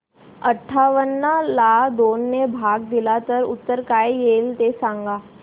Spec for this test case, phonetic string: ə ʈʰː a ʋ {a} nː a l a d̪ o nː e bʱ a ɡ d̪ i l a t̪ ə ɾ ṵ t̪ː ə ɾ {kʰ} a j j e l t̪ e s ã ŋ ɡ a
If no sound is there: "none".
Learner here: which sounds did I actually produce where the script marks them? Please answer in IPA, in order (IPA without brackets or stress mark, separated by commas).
ə, k